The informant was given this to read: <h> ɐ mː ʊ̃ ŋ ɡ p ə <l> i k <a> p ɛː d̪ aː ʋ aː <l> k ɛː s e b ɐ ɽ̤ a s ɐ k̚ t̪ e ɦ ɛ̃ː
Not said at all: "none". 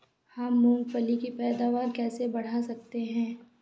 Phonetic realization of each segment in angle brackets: h, l, i, ɾ

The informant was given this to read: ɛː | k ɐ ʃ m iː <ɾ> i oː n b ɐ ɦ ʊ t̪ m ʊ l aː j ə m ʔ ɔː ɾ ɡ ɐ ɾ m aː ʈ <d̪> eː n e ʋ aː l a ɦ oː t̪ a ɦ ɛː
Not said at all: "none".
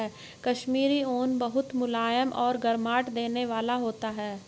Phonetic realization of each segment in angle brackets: ɾ, d̪

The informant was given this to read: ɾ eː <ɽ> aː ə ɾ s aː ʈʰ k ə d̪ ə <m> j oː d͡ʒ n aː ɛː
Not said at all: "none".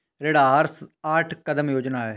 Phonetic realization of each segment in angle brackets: ɽ, m

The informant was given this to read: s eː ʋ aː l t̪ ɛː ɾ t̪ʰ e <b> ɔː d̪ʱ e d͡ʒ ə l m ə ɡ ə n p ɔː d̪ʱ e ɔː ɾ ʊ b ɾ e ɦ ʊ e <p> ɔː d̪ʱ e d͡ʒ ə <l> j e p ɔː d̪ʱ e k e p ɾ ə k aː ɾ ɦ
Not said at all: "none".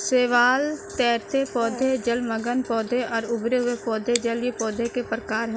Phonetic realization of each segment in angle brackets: p, p, l

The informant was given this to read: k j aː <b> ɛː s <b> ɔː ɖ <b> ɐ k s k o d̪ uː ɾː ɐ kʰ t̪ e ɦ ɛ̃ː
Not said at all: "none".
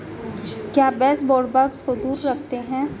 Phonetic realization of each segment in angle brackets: b, b, b

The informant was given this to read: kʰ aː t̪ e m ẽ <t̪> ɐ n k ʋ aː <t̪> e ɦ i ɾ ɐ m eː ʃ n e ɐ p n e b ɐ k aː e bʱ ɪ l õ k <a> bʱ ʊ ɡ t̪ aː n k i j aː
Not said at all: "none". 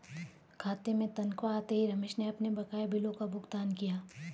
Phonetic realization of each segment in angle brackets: t̪, t̪, a

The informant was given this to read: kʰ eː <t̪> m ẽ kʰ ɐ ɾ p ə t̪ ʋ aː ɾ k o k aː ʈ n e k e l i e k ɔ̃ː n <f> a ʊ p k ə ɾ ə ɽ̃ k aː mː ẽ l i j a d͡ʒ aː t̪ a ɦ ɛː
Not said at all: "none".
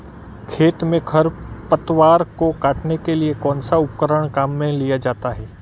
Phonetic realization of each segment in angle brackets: t̪, s

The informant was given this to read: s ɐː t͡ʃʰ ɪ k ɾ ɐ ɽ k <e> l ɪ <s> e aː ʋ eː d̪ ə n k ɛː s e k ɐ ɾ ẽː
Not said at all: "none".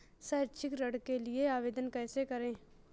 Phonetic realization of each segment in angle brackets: e, none

